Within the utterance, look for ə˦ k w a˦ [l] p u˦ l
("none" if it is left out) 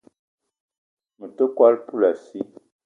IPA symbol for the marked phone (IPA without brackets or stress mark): l